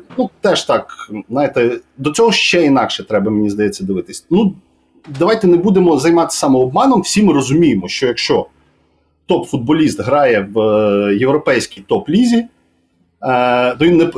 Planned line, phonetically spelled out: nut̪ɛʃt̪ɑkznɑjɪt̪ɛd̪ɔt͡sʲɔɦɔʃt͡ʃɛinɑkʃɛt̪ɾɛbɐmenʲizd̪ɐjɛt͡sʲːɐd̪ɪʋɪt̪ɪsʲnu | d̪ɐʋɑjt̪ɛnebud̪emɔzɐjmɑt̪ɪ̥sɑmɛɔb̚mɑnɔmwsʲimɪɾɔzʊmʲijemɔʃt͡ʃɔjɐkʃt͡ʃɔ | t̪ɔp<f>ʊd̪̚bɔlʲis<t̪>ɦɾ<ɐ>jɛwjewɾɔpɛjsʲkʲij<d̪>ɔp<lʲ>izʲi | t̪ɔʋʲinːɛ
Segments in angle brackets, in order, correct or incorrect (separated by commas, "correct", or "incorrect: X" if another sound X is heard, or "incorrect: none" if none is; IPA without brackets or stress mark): correct, correct, incorrect: ɑ, incorrect: t̪, correct